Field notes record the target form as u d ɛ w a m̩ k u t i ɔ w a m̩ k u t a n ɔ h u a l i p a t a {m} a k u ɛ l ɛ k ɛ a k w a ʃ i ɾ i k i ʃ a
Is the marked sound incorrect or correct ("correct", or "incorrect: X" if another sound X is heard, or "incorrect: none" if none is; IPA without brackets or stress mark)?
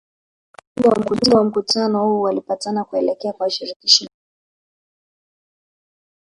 incorrect: n